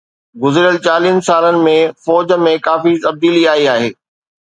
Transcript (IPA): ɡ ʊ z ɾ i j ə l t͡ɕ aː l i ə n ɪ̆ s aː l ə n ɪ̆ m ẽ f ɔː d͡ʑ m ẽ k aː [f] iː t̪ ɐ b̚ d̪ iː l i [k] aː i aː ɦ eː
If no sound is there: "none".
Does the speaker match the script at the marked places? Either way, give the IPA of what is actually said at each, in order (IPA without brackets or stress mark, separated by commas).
f, none